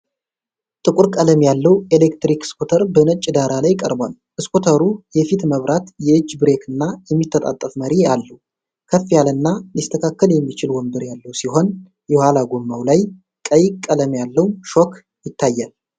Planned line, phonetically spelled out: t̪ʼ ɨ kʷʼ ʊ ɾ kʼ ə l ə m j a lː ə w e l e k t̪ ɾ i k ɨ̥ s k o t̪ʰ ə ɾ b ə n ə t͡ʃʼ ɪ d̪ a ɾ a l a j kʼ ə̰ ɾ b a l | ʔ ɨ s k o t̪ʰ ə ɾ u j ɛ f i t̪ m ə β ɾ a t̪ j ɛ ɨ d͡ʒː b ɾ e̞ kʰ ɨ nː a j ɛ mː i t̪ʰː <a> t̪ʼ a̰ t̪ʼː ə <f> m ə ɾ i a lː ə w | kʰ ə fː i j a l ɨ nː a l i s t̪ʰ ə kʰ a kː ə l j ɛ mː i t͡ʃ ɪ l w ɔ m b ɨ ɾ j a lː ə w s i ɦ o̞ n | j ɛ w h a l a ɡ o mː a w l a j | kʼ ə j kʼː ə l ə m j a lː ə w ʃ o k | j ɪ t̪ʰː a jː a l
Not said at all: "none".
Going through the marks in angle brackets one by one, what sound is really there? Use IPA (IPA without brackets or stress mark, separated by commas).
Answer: ə, f